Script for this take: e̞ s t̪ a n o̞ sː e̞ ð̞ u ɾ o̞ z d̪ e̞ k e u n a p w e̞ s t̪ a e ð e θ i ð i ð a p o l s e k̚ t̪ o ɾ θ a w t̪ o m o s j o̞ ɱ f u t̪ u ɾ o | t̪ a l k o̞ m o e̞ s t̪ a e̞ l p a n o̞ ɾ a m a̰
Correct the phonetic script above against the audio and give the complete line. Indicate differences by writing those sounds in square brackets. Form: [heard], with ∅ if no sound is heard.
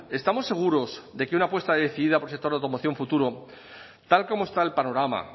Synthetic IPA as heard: e̞ s t̪ a [m] o̞ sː e̞ [ɣ̞] u ɾ o̞ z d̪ e̞ k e u n a p w e̞ s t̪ a e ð e θ i ð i ð a p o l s e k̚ t̪ o ɾ [ð] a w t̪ o m o [θ] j o̞ ɱ f u t̪ u ɾ o | t̪ a l k o̞ m o e̞ s t̪ a e̞ l p a n o̞ ɾ a m a̰